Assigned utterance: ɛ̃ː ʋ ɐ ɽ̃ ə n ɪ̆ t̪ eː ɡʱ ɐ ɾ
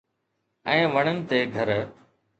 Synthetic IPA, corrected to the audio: ɛ̃ː ʋ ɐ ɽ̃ ə n ɪ̆ t̪ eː ɡʱ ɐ ɾ